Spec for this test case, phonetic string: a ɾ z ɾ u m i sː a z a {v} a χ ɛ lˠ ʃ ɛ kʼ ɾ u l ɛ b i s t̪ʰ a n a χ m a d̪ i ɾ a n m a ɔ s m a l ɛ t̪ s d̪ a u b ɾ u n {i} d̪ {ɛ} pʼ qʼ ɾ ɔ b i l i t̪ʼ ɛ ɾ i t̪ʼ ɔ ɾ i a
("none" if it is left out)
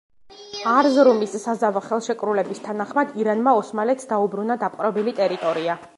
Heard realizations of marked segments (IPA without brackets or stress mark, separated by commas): v, a, a